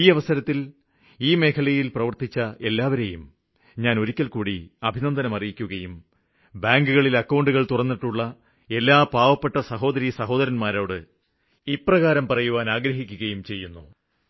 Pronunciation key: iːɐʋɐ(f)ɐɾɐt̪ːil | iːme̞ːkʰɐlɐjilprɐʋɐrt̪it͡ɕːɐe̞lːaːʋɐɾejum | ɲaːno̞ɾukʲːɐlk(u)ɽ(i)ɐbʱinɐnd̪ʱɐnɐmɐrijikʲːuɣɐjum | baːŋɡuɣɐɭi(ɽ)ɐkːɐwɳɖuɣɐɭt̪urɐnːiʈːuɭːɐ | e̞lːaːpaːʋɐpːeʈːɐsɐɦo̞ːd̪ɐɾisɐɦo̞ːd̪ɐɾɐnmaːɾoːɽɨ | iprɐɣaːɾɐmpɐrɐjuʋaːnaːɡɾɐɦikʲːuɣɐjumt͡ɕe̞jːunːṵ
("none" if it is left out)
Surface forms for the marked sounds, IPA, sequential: s, uː, i, l

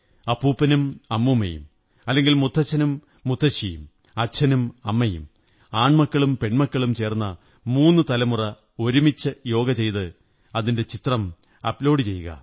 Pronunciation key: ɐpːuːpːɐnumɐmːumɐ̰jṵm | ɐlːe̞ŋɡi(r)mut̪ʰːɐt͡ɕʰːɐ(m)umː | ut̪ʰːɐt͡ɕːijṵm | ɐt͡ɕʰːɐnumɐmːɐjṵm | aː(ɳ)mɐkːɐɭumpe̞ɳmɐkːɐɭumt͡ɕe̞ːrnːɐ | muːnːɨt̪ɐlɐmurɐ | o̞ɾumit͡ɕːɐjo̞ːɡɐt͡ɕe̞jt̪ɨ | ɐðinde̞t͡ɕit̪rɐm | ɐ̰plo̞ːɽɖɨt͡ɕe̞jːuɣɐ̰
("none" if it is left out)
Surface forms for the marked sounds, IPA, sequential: l, n, ɳ

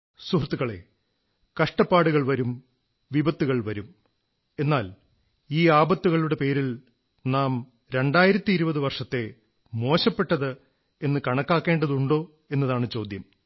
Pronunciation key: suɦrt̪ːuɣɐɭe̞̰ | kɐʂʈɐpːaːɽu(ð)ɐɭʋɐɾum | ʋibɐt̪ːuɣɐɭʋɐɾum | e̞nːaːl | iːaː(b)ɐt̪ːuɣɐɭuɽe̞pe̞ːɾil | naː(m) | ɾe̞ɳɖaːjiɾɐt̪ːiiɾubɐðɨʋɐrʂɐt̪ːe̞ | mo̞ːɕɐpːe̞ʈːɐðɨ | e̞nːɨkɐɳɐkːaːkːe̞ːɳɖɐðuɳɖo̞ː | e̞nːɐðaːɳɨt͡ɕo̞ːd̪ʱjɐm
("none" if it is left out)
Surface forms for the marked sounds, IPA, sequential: ɣ, b, m

